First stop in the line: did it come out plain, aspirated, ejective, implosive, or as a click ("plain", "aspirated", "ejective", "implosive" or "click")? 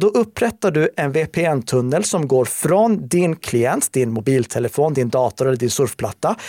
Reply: plain